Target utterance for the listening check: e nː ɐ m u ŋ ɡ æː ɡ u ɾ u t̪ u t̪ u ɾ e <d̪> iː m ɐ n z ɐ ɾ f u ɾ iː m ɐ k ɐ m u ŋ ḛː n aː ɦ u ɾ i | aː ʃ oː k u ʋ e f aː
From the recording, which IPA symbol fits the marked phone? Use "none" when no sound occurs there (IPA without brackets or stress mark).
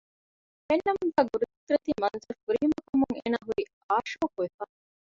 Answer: t̪